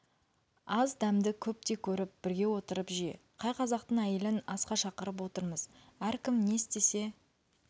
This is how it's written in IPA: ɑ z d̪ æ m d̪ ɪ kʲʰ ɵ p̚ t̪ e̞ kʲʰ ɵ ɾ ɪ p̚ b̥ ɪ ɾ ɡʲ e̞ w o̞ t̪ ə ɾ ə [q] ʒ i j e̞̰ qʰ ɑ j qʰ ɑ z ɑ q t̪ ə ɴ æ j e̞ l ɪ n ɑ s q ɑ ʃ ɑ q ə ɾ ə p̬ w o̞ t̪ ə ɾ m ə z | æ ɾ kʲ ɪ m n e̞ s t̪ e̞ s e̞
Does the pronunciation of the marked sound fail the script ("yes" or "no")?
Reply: yes